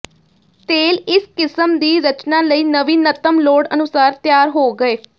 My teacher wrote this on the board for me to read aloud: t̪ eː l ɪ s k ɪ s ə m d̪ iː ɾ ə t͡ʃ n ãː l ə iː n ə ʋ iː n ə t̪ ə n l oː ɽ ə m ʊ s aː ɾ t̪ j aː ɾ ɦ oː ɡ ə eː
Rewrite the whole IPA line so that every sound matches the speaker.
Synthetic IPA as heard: t̪ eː l ɪ s k ɪ s ə m d̪ iː ɾ ə t͡ʃ n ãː l ə iː n ə ʋ iː n ə t̪ ə m l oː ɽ ə n ʊ s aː ɾ t̪ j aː ɾ ɦ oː ɡ ə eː